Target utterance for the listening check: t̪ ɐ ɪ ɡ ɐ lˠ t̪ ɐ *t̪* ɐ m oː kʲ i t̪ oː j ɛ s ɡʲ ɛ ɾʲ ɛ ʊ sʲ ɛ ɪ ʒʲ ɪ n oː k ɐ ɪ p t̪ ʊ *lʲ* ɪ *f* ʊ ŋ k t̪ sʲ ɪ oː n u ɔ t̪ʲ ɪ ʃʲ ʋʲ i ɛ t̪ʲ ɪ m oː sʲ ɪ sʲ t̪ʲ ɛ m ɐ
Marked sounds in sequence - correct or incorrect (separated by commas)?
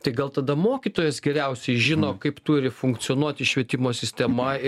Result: incorrect, incorrect, correct